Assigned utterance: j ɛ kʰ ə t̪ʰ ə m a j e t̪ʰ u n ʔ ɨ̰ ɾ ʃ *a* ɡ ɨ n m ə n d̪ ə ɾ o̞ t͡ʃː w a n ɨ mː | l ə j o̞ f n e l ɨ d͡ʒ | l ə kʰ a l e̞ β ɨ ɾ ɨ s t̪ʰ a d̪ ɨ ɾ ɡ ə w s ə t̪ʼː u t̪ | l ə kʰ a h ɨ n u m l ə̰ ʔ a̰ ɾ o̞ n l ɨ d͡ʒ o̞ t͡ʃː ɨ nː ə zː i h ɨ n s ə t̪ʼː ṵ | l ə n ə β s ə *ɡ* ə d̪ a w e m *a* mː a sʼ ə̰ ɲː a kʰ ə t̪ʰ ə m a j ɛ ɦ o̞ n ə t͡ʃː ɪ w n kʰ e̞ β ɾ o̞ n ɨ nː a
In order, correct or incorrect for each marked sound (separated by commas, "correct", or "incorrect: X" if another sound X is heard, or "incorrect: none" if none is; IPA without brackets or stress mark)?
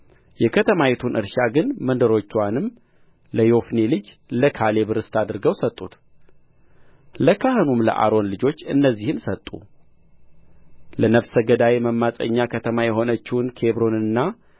correct, correct, incorrect: ə